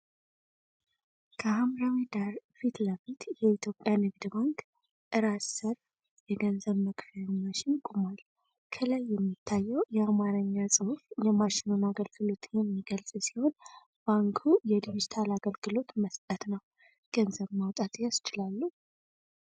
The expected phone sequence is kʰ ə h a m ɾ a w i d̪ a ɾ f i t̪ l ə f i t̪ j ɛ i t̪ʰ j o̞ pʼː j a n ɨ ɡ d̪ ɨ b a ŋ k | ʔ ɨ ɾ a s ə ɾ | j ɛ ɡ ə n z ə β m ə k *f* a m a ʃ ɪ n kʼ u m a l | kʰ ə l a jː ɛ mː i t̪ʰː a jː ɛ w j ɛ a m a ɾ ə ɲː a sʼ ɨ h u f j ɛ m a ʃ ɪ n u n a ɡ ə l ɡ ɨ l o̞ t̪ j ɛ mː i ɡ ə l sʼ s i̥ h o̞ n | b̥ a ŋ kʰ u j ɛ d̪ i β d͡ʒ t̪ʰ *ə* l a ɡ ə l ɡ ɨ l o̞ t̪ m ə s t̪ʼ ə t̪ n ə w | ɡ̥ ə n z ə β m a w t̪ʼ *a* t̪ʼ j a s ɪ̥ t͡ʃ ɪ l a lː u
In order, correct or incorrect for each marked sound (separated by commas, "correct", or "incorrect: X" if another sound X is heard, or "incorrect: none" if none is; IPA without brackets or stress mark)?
correct, incorrect: a, correct